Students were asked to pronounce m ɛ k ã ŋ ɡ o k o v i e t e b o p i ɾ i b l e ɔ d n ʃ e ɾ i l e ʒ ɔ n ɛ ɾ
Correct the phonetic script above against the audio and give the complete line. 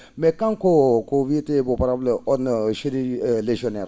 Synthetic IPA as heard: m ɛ k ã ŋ k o k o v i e t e b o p a ɾ a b l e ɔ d n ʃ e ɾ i l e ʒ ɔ n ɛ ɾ